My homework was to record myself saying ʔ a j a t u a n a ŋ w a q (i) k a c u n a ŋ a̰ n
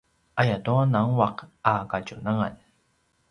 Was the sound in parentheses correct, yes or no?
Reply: no